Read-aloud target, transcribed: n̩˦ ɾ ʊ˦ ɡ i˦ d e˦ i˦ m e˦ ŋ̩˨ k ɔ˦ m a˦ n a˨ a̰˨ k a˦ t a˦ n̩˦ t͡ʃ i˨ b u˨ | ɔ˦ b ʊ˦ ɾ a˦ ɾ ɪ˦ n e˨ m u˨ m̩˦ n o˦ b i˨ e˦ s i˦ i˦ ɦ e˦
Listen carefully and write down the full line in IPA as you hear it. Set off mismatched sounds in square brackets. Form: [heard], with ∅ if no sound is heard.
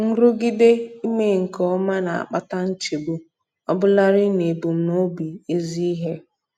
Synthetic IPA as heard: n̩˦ ɾ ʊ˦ ɡ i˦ d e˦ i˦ m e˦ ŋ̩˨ k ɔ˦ m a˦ n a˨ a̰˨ [k͡p] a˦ t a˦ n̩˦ t͡ʃ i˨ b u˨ | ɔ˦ b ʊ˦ [l] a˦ ɾ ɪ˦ n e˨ [b] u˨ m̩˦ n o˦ b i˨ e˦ [z] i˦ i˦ ɦ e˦